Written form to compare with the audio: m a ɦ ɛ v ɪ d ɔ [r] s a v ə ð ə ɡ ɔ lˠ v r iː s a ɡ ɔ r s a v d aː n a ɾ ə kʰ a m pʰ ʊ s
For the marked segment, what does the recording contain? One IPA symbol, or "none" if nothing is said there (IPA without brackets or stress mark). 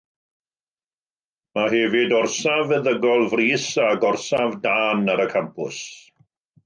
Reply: r